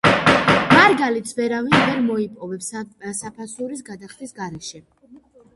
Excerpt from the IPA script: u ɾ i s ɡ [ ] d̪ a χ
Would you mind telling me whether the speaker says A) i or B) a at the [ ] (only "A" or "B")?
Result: B